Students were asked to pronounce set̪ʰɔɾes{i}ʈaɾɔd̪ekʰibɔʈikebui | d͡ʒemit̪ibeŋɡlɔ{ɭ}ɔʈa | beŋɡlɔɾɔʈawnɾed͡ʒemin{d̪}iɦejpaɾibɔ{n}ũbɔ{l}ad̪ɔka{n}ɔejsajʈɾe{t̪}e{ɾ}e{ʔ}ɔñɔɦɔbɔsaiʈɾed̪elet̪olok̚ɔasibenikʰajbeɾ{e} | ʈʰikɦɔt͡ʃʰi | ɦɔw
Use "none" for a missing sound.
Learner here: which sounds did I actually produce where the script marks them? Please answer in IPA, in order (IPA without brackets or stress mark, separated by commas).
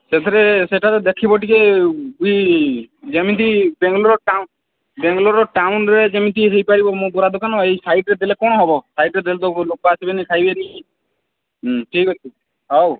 e, ɾ, t̪, m, ɾ, n, d̪, l, k, i